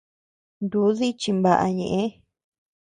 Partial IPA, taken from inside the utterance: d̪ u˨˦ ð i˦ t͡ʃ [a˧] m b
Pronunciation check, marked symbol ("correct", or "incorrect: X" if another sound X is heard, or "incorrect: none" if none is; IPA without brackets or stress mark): incorrect: i˧